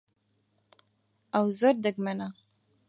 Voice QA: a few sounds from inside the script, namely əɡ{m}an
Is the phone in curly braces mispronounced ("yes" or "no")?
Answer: no